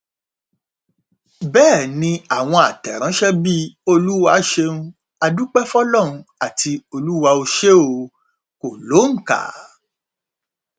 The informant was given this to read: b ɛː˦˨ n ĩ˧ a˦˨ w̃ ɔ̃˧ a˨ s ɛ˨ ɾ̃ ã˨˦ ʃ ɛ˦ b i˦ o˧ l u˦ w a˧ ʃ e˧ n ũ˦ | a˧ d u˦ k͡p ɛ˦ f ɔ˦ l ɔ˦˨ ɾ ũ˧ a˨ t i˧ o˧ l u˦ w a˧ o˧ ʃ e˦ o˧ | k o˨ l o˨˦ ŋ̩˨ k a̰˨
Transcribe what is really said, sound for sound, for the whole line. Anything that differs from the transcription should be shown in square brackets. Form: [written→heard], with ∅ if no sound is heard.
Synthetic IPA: b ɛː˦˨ n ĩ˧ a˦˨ w̃ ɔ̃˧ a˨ [s→t] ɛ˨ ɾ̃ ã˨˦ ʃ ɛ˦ b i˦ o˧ l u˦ w a˧ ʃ e˧ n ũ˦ | a˧ d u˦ k͡p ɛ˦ f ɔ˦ l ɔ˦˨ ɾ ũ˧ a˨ t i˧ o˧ l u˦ w a˧ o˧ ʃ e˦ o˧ | k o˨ l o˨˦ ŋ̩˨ k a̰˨